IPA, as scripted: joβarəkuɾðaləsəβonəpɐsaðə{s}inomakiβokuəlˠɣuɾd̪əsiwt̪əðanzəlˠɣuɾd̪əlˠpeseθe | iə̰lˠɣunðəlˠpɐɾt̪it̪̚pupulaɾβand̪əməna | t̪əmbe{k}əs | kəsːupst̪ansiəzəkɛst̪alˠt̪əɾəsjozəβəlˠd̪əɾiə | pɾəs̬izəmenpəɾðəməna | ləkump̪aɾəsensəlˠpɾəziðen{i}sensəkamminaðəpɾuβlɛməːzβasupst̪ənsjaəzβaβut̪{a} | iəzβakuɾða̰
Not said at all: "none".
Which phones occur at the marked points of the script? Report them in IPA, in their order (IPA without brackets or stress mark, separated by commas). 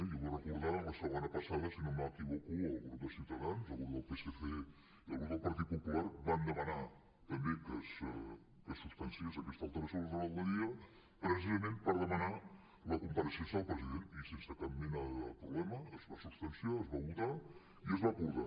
s, k, i, a